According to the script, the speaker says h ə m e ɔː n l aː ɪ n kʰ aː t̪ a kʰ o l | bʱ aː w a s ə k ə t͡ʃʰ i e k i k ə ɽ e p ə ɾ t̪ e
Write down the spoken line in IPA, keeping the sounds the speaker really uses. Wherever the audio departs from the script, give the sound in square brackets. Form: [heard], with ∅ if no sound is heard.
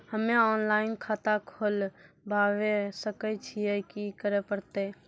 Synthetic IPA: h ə m e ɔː n l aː ɪ n kʰ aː t̪ a kʰ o l | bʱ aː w [e] s ə k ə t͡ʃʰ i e k i k ə [ɾ] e p ə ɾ t̪ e